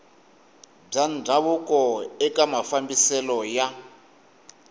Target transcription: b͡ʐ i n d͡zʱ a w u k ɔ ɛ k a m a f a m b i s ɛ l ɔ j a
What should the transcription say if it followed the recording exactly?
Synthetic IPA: b͡ʐ a n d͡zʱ a β u k ɔ ɛ k a m a f a m b i s ɛ l ɔ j a